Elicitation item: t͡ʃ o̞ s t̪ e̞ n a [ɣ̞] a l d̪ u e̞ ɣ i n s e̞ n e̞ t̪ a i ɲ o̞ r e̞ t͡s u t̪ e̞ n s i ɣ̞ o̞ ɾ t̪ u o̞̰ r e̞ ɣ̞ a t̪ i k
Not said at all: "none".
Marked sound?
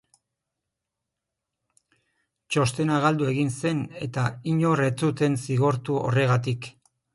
ɣ̞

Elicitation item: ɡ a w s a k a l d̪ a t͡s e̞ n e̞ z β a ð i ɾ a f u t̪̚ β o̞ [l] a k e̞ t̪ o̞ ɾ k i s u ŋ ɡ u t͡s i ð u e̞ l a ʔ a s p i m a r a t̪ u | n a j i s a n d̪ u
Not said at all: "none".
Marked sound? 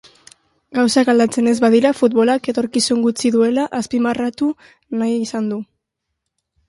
l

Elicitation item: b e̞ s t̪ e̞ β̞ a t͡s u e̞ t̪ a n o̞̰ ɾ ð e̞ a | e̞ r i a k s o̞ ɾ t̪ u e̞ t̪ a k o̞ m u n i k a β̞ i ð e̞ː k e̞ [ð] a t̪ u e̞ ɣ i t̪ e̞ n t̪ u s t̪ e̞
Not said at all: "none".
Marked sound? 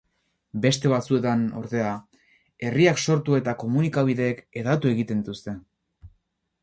ð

